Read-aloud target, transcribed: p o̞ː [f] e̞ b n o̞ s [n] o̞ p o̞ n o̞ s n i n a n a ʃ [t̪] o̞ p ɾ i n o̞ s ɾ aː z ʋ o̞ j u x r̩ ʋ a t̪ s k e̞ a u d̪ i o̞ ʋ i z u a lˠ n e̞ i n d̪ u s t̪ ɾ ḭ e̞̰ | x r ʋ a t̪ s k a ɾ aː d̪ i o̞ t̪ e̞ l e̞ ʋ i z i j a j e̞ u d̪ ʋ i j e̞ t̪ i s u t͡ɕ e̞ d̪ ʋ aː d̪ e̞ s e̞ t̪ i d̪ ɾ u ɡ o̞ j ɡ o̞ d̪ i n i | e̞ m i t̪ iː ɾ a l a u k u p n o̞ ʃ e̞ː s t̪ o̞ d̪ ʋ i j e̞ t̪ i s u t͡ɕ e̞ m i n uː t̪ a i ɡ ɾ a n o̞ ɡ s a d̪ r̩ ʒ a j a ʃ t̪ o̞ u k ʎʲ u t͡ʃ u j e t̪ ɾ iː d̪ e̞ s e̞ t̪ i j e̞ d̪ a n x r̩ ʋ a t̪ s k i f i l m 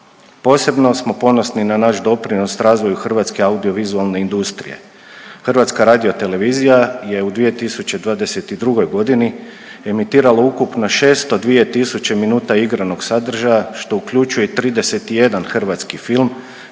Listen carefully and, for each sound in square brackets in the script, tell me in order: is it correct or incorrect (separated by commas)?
incorrect, incorrect, incorrect